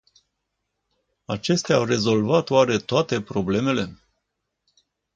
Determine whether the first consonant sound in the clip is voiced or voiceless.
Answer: voiceless